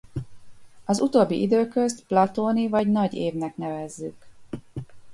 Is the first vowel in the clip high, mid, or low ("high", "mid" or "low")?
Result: low